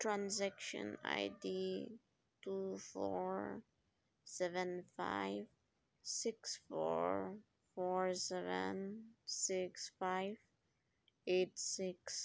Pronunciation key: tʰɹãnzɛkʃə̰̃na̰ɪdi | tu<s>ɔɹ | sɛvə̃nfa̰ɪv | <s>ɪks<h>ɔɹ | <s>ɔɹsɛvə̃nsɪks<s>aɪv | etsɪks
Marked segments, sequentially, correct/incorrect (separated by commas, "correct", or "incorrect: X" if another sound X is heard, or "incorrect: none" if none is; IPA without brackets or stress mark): incorrect: f, correct, incorrect: f, incorrect: f, incorrect: f